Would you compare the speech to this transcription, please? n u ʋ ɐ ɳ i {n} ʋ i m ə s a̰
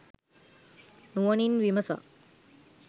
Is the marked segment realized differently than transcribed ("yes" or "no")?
no